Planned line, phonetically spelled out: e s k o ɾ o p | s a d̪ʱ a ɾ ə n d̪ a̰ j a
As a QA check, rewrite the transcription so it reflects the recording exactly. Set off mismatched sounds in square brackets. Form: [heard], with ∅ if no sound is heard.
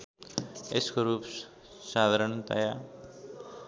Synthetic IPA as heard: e s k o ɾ [u] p | s a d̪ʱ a ɾ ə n [t̪] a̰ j a

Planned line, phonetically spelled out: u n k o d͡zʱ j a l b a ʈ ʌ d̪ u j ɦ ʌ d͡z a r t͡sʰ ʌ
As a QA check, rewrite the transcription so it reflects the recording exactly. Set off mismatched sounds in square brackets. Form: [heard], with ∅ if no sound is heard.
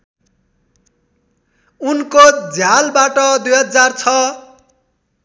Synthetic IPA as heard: u n k o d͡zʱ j a l b a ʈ ʌ d̪ u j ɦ ʌ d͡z a r t͡sʰ ʌ

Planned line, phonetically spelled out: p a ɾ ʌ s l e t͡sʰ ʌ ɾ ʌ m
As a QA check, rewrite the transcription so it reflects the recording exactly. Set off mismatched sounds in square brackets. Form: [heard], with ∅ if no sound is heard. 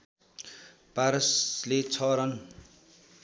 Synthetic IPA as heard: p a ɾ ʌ s l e t͡sʰ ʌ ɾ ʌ [n]

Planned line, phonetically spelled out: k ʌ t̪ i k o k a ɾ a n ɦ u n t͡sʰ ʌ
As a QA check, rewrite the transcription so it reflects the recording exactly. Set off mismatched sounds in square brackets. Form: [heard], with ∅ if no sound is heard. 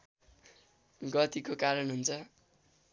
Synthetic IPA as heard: [ɡ] ʌ t̪ i k o k a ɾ [ʌ] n ɦ u n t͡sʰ ʌ

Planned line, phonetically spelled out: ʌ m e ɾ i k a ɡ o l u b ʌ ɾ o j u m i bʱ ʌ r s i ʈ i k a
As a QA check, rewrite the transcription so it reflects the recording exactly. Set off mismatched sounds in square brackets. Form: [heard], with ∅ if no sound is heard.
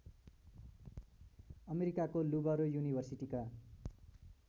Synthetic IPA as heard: ʌ m e ɾ i k a [k] o l u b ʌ ɾ o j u [n] i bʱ ʌ r s i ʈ i k a

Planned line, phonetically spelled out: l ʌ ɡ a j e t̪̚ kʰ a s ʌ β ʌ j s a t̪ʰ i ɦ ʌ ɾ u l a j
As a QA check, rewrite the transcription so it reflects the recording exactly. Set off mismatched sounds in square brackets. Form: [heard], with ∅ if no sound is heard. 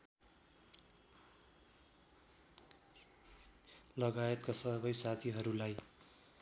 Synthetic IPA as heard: l ʌ ɡ a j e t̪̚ [k] a s ʌ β ʌ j s a t̪ʰ i ɦ ʌ ɾ u l a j

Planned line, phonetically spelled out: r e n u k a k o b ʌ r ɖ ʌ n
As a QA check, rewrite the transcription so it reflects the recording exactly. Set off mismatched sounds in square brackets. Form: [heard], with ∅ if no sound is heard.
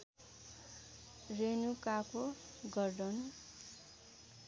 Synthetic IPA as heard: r e n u k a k o [ɡ] ʌ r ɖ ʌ n

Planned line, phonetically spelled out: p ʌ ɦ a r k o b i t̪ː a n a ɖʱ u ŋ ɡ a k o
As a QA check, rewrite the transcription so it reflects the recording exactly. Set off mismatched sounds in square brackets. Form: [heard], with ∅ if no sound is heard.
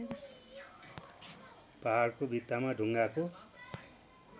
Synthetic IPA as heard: p [a] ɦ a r k o b i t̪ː a [m] a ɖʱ u ŋ ɡ a k o

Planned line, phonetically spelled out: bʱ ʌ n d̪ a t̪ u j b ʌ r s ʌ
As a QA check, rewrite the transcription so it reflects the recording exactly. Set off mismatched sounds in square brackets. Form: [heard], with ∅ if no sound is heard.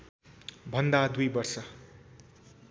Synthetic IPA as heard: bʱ ʌ n d̪ a [d̪] u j b ʌ r s ʌ

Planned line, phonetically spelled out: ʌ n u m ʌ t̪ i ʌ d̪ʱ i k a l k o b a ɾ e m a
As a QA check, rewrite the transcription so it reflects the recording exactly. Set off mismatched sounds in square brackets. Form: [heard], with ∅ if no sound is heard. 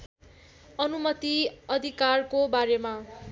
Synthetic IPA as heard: ʌ n u m ʌ t̪ i ʌ d̪ʱ i k a [r] k o b a ɾ e m a

